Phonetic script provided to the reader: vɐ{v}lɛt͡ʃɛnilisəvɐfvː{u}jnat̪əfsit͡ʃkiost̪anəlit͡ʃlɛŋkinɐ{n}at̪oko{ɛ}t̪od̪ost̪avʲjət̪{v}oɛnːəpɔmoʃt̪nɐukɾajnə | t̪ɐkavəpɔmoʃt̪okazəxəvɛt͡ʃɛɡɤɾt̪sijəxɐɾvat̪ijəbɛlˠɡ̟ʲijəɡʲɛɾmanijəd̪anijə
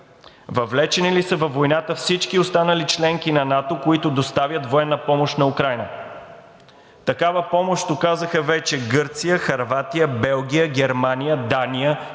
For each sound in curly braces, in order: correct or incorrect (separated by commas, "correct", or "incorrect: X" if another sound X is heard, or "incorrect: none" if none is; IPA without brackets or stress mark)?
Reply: correct, incorrect: o, correct, incorrect: i, correct